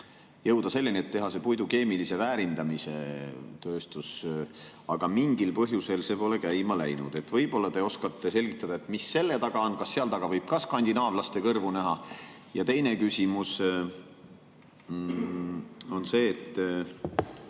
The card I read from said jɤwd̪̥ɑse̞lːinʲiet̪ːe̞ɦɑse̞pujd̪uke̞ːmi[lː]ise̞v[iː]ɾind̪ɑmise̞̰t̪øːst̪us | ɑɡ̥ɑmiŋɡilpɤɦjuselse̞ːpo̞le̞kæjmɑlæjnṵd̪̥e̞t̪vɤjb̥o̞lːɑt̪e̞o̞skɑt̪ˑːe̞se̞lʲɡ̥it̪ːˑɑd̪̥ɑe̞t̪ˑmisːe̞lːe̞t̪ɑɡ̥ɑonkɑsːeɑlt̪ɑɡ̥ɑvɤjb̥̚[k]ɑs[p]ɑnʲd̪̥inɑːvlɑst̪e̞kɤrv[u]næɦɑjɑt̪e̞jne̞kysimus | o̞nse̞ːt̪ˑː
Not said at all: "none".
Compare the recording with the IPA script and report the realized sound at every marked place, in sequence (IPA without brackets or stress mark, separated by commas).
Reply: l, æː, k, k, u